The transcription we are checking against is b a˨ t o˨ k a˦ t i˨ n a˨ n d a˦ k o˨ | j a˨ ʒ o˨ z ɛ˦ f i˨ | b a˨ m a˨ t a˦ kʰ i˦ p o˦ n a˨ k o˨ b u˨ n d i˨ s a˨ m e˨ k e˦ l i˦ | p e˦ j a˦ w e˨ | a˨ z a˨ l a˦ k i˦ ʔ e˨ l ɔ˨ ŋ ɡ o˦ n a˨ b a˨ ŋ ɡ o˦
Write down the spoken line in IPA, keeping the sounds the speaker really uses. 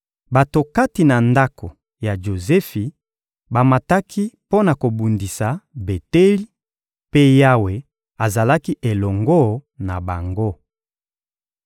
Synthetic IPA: b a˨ t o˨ k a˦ t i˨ n a˨ n d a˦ k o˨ | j a˨ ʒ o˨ z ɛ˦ f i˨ | b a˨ m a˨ t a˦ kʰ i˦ p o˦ n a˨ k o˨ b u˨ n d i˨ s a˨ b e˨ t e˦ l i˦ | p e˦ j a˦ w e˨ | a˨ z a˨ l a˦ k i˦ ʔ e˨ l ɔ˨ ŋ ɡ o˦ n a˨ b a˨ ŋ ɡ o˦

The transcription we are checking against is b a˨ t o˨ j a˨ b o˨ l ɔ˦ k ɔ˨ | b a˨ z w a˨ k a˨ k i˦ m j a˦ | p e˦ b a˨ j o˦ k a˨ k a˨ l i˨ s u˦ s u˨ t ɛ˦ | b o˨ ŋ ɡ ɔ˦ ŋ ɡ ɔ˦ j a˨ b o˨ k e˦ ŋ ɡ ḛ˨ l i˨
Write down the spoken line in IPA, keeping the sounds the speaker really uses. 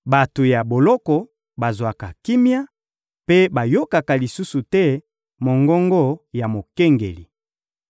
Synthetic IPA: b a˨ t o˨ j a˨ b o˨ l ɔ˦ k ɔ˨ | b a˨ z w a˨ k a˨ k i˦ m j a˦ | p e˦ b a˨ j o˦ k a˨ k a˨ l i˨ s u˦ s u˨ t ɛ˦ | m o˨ ŋ ɡ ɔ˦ ŋ ɡ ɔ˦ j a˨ m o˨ k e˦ ŋ ɡ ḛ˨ l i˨

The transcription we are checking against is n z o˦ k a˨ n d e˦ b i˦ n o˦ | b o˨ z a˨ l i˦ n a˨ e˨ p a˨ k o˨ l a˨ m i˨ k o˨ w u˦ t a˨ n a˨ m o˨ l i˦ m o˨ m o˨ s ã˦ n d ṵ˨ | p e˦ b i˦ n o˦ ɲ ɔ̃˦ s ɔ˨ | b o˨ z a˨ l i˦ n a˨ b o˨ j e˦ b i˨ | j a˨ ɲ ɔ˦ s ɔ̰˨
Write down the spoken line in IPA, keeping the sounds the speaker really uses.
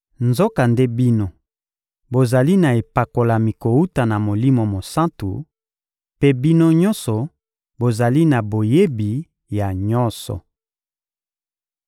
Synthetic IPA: n z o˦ k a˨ n d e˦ b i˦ n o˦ | b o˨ z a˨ l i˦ n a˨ e˨ p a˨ k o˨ l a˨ m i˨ k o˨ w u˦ t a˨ n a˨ m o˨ l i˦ m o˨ m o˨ s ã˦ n t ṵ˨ | p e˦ b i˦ n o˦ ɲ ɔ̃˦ s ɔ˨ | b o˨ z a˨ l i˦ n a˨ b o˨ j e˦ b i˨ | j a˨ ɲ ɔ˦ s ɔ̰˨

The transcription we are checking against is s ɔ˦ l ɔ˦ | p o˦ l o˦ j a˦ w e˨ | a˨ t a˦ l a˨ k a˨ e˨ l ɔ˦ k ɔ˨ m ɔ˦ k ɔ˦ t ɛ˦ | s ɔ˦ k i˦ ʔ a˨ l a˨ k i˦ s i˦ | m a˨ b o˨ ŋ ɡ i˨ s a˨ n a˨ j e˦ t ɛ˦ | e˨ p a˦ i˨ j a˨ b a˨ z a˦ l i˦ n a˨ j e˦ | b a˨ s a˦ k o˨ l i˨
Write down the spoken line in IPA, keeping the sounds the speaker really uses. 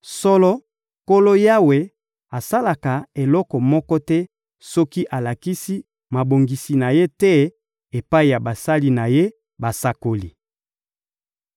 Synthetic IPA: s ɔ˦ l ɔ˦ | k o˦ l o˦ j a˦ w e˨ | a˨ s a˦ l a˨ k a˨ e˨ l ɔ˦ k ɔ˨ m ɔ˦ k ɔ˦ t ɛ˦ | s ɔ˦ k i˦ ʔ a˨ l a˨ k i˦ s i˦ | m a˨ b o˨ ŋ ɡ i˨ s i˨ n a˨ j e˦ t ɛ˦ | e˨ p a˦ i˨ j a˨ b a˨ s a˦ l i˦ n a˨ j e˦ | b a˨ s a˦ k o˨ l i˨

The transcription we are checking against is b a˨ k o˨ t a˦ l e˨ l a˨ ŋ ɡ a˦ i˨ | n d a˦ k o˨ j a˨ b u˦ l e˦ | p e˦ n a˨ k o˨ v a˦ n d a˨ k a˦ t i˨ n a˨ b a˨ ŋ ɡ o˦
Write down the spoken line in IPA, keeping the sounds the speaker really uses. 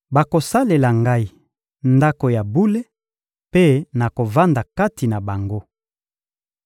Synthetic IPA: b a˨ k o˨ s a˦ l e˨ l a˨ ŋ ɡ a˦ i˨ | n d a˦ k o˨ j a˨ b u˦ l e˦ | p e˦ n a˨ k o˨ v a˦ n d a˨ k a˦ t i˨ n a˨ b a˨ ŋ ɡ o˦

